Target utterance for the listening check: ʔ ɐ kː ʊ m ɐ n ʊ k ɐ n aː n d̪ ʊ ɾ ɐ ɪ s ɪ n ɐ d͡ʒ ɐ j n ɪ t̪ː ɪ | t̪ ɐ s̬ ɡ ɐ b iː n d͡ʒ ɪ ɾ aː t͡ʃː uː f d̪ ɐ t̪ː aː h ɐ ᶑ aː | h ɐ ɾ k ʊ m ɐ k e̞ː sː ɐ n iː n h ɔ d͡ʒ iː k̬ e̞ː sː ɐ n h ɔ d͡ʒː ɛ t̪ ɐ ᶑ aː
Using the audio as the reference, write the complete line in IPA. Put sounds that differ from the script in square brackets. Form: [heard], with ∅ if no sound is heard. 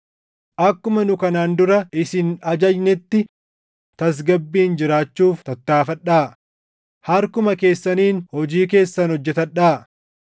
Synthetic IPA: ʔ ɐ kː ʊ m ɐ n ʊ k ɐ n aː n d̪ ʊ ɾ ɐ ɪ s ɪ n ɐ d͡ʒ ɐ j n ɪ t̪ː ɪ | t̪ ɐ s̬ ɡ ɐ [bː] iː n d͡ʒ ɪ ɾ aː t͡ʃː uː f [t̪] ɐ t̪ː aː [f] ɐ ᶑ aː | h ɐ ɾ k ʊ m ɐ k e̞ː sː ɐ n iː n h ɔ d͡ʒ iː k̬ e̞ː sː ɐ n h ɔ d͡ʒː ɛ t̪ ɐ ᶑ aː